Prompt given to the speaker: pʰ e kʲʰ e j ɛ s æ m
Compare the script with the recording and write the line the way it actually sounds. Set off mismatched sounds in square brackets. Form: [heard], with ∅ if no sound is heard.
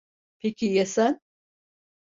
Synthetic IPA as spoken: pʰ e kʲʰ [i] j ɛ s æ [n]